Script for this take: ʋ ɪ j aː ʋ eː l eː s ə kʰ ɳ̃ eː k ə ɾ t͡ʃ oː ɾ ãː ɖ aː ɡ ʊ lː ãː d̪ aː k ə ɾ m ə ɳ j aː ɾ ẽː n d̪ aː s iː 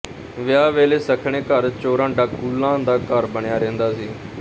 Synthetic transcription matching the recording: ʋ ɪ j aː ʋ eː l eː s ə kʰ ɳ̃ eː k ə ɾ t͡ʃ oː ɾ ãː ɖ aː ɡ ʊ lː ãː d̪ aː k ə ɾ b ə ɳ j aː ɾ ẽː n d̪ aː s iː

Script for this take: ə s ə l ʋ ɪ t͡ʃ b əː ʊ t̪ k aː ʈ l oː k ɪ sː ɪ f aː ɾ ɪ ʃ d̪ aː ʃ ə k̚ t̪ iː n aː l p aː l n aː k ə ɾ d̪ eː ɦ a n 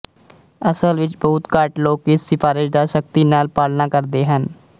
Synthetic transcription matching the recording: ə s ə l ʋ ɪ t͡ʃ b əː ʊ t̪ k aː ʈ l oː k ɪ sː ɪ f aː ɾ ɪ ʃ d̪ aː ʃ ə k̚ t̪ iː n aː l p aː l n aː k ə ɾ d̪ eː ɦ ə n

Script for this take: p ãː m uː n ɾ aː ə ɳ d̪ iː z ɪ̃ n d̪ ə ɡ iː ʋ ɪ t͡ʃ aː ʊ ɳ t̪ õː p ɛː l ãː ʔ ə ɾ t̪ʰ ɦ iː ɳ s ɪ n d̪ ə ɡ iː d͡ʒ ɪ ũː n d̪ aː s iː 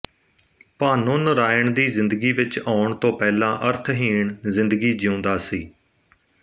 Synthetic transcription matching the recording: p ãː n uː n ɾ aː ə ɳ d̪ iː z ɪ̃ n d̪ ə ɡ iː ʋ ɪ t͡ʃ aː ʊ ɳ t̪ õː p ɛː l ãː ʔ ə ɾ t̪ʰ ɦ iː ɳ z ɪ n d̪ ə ɡ iː d͡ʒ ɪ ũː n d̪ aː s iː

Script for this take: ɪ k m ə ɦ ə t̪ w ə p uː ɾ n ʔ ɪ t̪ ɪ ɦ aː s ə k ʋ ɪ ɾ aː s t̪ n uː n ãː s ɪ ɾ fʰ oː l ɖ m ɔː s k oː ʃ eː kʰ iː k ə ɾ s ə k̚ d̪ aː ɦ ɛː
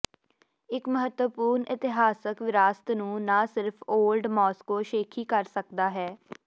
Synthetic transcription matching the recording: ɪ k m ə ɦ ə t̪ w ə p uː ɾ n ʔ ɪ t̪ ɪ ɦ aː s ə k ʋ ɪ ɾ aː s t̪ n ũː n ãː s ɪ ɾ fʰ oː l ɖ m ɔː s k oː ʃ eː kʰ iː k ə ɾ s ə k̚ d̪ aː ɦ ɛː

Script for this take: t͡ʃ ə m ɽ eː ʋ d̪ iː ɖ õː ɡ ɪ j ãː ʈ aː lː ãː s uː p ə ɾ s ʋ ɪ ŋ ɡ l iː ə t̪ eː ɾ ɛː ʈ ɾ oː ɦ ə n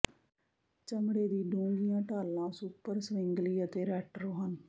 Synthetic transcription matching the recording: t͡ʃ ə m ɽ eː d̪ iː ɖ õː ɡ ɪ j ãː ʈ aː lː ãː s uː p ə ɾ s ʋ ɪ ŋ ɡ l iː ə t̪ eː ɾ ɛː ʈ ɾ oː ɦ ə n

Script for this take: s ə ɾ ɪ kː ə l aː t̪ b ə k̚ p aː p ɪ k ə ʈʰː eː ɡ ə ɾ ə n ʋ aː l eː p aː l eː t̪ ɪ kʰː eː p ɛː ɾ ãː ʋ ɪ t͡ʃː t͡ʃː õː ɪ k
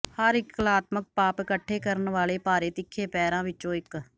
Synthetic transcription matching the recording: h ə ɾ ɪ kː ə l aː t̪ m ə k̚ p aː p ɪ k ə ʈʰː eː k ə ɾ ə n ʋ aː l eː p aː ɾ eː t̪ ɪ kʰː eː p ɛː ɾ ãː ʋ ɪ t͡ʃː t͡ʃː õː ɪ k

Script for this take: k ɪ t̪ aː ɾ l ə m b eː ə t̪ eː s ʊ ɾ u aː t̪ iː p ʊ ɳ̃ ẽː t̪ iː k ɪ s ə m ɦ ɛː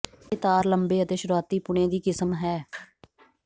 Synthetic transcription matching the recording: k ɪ t̪ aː ɾ l ə m b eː ə t̪ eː ʃ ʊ ɾ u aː t̪ iː p ʊ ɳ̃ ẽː d̪ iː k ɪ s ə m ɦ ɛː

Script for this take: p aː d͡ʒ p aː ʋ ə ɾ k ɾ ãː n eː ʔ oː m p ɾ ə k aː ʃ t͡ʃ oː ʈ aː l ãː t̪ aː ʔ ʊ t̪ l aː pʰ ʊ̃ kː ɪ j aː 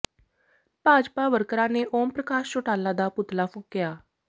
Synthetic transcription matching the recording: p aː d͡ʒ p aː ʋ ə ɾ k ɾ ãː n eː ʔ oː m p ɾ ə k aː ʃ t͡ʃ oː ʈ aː l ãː d̪ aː p ʊ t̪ l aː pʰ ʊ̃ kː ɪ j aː

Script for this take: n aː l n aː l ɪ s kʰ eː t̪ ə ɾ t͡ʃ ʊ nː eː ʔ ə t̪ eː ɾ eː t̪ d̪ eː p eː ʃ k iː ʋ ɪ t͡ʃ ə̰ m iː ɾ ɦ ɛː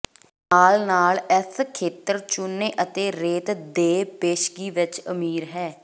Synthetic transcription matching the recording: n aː l n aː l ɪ s kʰ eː t̪ ə ɾ t͡ʃ ʊ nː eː ʔ ə t̪ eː ɾ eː t̪ d̪ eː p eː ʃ ɡ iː ʋ ɪ t͡ʃ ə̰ m iː ɾ ɦ ɛː

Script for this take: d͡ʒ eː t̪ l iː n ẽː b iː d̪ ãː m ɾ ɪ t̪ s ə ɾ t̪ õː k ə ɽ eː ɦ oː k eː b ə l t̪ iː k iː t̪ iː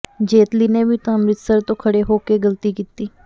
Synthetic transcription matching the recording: d͡ʒ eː t̪ l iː n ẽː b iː t̪ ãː m ɾ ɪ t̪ s ə ɾ t̪ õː kʰ ə ɽ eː ɦ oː k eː ɡ ə l t̪ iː k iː t̪ iː

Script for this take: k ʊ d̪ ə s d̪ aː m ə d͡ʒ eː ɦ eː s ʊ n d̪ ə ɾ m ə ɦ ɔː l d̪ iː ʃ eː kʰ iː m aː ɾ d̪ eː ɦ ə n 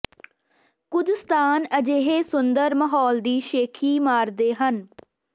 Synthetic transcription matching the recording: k ʊ d̪ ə s t̪ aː n ə d͡ʒ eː ɦ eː s ʊ n d̪ ə ɾ m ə ɦ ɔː l d̪ iː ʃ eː kʰ iː m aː ɾ d̪ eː ɦ ə n

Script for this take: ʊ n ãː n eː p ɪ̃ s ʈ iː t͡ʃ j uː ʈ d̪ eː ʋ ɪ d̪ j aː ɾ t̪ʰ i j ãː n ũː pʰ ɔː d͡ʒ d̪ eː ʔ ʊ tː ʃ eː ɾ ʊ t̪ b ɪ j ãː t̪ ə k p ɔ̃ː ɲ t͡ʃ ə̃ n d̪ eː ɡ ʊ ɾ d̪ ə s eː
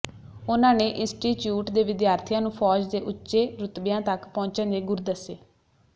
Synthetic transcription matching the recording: ʊ n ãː n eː ʔ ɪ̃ s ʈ iː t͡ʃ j uː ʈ d̪ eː ʋ ɪ d̪ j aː ɾ t̪ʰ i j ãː n ũː pʰ ɔː d͡ʒ d̪ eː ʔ ʊ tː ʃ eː ɾ ʊ t̪ b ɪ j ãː t̪ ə k p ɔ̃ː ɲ t͡ʃ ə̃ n d̪ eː ɡ ʊ ɾ d̪ ə s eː

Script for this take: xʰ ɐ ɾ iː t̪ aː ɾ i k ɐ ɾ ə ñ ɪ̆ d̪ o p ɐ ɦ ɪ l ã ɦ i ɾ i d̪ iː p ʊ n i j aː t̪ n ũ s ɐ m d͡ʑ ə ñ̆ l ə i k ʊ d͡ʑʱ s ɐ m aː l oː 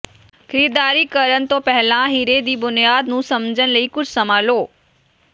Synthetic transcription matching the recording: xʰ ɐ ɾ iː d̪ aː ɾ i k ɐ ɾ ə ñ ɪ̆ t̪ o p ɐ ɦ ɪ l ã ɦ i ɾ e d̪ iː b ʊ n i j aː d̪ n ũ s ɐ m d͡ʑ ə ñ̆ l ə i k ʊ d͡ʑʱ s ɐ m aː l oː

